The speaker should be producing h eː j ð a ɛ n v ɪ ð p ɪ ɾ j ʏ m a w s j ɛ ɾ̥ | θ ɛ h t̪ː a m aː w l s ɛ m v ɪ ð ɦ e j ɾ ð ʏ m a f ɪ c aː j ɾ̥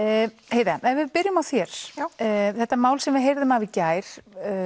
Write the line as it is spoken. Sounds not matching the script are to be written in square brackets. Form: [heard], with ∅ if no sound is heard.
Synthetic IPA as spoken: h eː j ð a ɛ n v ɪ ð p ɪ ɾ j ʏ m a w [θ] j ɛ ɾ̥ | θ ɛ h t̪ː a m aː w l s ɛ m v ɪ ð ɦ e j ɾ ð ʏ m a [v] ɪ c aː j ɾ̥